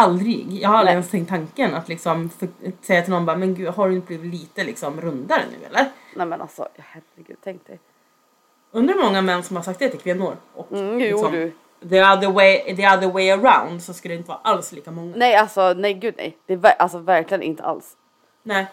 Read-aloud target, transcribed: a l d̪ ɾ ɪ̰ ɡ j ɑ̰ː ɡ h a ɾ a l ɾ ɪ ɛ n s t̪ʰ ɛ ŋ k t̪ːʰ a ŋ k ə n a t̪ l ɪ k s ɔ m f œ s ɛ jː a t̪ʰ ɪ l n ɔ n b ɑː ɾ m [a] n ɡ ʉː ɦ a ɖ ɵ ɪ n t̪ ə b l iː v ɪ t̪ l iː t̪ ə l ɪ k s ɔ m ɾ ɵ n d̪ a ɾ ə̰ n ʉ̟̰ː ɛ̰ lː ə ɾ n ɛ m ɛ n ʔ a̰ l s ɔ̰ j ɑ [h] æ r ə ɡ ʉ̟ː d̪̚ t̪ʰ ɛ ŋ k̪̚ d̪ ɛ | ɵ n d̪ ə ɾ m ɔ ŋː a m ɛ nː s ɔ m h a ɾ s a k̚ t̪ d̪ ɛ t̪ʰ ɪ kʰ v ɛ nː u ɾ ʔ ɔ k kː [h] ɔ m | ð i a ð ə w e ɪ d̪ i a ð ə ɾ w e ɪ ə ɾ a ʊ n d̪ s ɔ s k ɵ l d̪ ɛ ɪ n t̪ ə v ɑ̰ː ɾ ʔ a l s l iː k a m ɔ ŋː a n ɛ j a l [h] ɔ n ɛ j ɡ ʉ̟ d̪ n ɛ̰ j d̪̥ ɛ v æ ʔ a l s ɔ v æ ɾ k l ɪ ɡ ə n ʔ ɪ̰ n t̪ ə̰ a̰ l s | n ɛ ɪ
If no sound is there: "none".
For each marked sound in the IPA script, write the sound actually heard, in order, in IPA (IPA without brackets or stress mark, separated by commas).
ɛ, h, s, s